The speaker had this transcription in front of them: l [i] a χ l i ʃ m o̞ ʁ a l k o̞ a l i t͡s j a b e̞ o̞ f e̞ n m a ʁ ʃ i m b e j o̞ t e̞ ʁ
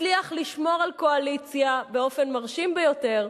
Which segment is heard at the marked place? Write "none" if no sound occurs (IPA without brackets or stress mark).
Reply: i